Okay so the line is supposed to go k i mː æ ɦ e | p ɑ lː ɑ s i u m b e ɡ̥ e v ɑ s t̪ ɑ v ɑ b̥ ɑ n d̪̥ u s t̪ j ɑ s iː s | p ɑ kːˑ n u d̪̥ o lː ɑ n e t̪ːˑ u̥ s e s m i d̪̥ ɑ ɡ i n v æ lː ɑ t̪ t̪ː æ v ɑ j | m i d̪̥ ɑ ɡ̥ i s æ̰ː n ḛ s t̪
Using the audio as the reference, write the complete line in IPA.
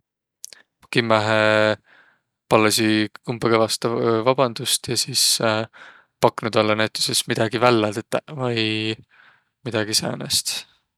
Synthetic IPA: k i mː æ ɦ e | p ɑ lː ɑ s i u m b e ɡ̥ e v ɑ s t̪ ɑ v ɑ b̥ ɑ n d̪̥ u s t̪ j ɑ s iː s | p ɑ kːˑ n u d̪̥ o lː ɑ n æ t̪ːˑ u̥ s e s m i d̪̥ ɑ ɡ i v æ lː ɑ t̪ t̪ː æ v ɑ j | m i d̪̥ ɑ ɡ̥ i s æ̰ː n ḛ s t̪

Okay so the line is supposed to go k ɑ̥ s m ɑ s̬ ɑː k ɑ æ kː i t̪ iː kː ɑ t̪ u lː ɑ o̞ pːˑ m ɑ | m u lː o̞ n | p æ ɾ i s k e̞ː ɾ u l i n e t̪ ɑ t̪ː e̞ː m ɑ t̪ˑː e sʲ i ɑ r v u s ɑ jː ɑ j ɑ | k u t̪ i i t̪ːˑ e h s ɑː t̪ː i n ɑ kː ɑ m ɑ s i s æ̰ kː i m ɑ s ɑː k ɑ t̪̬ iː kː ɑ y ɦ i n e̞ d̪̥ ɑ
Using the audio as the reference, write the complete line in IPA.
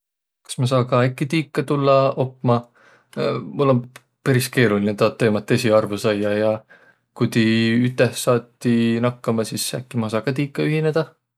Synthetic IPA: k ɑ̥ s m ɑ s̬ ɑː k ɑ æ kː i t̪ iː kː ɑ t̪ u lː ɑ o̞ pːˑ m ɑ | m u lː o̞ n | p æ ɾ i s k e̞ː ɾ u l i n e t̪ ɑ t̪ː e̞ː m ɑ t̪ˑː e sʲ i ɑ r v u s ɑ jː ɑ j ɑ | k u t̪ i y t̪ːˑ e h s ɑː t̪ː i n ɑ kː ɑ m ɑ s i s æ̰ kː i m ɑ s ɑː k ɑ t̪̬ iː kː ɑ y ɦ i n e̞ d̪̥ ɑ

